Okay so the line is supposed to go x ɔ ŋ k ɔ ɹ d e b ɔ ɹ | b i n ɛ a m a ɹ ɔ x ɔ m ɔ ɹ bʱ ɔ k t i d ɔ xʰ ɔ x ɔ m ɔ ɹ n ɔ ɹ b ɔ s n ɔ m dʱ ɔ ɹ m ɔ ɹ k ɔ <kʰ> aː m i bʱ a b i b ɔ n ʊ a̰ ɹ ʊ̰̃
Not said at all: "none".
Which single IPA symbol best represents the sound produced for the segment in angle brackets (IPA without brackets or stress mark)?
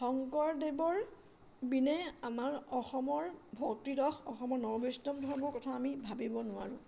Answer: tʰ